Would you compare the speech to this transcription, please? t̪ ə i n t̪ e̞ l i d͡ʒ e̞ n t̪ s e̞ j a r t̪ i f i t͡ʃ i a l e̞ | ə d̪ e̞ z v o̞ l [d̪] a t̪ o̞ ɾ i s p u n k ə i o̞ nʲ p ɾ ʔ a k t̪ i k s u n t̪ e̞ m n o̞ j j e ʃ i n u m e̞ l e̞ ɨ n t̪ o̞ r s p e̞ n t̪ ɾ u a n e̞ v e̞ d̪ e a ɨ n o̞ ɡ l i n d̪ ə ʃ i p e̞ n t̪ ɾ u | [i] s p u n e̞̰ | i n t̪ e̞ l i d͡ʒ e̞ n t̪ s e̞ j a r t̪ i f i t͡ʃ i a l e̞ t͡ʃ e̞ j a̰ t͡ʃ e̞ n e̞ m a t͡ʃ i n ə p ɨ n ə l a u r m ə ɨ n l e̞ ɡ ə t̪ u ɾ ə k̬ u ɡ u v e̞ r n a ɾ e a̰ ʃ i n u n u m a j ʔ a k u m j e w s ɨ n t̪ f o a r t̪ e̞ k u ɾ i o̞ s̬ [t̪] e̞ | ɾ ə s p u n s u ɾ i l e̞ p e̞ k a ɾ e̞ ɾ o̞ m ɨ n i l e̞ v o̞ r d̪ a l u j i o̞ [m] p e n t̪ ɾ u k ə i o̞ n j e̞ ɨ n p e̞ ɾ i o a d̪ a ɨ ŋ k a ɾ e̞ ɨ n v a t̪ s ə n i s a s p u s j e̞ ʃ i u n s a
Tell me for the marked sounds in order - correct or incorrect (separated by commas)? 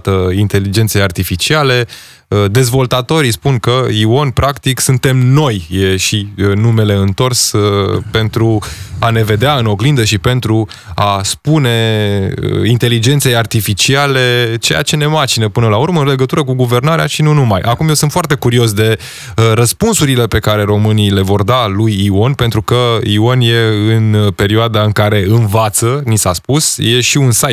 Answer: incorrect, incorrect, incorrect, incorrect